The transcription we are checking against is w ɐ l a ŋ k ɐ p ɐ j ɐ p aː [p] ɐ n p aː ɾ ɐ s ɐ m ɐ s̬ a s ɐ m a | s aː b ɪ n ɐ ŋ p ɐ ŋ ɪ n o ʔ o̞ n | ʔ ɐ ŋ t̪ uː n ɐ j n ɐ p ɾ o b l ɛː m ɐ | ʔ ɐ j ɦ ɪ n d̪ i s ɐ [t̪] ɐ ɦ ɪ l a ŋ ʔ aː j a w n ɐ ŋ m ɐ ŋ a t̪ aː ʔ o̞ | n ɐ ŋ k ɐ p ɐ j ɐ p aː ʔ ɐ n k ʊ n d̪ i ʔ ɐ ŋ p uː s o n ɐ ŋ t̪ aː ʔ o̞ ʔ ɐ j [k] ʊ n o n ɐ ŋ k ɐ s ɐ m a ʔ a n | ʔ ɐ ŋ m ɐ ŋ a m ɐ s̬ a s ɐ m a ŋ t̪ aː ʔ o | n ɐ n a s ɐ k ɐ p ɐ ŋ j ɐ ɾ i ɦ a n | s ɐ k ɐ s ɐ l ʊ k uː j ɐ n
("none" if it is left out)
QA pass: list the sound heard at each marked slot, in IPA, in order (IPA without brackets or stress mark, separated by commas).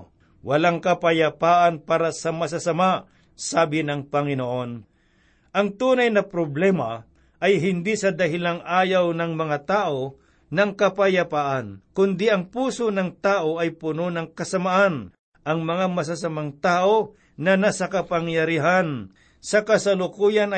ʔ, d̪, p